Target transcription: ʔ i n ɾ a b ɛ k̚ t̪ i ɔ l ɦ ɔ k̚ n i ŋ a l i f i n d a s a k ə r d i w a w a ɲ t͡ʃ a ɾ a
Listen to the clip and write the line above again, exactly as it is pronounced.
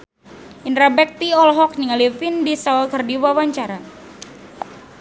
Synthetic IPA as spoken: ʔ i n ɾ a b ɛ k̚ t̪ i ɔ l ɦ ɔ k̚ n i ŋ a l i f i n d i s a k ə r d i w a w a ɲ t͡ʃ a ɾ a